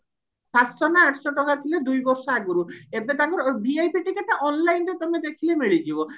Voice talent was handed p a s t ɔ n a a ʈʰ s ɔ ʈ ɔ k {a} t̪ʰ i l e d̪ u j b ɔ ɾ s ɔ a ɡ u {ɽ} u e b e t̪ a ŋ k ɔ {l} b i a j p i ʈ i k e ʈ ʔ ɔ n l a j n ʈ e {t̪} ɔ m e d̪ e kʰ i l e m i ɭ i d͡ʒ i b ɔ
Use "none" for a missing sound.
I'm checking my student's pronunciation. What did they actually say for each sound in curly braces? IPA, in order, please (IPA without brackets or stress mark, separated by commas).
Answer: a, ɾ, ɾ, t̪